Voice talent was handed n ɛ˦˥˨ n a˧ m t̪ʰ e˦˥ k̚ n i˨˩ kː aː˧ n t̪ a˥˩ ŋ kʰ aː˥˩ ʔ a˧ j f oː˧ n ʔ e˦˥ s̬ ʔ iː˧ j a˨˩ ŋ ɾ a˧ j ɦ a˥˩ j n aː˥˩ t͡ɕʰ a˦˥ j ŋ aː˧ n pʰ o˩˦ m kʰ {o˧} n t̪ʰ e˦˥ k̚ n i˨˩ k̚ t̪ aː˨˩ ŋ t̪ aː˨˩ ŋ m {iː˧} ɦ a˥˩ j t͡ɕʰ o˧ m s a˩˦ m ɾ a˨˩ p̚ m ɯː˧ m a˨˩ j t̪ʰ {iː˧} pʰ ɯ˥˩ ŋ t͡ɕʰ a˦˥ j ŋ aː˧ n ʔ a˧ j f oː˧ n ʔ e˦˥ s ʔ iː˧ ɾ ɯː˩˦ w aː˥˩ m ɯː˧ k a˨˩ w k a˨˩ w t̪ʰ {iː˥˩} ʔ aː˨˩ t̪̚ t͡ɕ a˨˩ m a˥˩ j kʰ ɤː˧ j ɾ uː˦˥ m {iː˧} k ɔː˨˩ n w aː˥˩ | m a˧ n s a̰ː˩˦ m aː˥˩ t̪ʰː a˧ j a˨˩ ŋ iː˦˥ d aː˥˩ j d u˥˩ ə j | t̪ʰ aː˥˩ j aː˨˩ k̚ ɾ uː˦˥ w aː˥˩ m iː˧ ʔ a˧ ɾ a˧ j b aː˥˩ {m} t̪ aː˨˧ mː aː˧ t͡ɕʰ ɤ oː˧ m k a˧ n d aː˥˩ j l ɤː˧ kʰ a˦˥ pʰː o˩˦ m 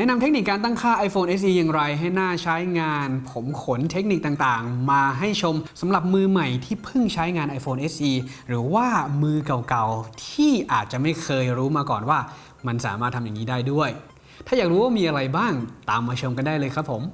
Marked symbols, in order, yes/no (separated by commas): no, no, no, yes, no, no